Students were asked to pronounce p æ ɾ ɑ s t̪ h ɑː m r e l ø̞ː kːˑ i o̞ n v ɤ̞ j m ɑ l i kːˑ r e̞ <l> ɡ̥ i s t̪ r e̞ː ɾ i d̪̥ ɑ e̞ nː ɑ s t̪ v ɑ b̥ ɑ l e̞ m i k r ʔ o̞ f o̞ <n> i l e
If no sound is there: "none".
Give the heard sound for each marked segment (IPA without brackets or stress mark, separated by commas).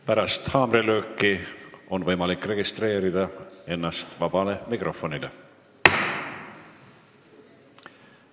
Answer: none, n